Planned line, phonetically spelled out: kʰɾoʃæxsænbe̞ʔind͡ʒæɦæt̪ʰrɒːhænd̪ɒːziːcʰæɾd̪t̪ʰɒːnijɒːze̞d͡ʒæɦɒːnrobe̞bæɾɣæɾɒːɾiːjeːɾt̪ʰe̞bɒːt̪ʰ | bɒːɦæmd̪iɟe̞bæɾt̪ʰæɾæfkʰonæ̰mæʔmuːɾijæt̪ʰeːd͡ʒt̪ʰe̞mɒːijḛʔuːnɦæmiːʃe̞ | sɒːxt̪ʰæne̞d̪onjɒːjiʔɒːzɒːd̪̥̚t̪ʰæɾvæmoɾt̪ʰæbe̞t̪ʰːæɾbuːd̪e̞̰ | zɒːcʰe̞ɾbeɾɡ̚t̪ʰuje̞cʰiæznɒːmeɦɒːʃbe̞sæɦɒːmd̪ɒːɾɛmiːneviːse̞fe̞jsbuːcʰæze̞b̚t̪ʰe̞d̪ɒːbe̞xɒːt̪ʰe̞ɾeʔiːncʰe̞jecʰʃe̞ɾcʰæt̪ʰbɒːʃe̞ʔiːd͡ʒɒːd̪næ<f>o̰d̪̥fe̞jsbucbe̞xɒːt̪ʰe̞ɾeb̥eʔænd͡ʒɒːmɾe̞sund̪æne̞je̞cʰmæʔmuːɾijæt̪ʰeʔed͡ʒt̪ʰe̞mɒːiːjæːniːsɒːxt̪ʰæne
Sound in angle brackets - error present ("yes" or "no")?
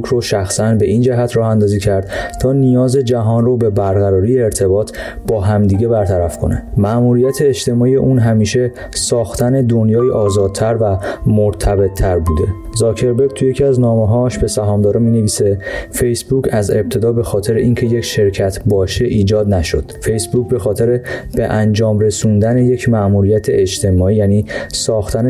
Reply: yes